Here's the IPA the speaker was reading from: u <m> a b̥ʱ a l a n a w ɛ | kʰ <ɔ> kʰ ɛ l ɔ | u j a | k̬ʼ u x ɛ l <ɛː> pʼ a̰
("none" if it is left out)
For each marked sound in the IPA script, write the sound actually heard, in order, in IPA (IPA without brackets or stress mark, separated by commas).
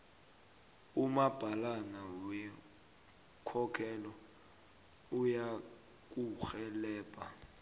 m, ɔ, ɛː